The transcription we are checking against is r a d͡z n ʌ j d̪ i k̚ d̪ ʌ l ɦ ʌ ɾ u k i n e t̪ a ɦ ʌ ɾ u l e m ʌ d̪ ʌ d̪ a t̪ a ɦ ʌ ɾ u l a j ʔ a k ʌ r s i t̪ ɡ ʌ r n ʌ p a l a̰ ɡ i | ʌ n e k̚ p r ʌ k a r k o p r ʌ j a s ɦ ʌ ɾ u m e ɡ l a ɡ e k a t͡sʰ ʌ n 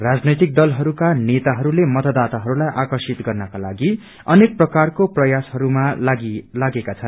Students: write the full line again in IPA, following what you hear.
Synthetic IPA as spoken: r a d͡z n ʌ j t̪ i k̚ d̪ ʌ l ɦ ʌ ɾ u k a n e t̪ a ɦ ʌ ɾ u l e m ʌ t̪ ʌ d̪ a t̪ a ɦ ʌ ɾ u l a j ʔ a k ʌ r s i t̪ ɡ ʌ r n ʌ k a l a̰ ɡ i | ʌ n e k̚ p r ʌ k a r k o p r ʌ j a s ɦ ʌ ɾ u m a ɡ l a ɡ e k a t͡sʰ ʌ n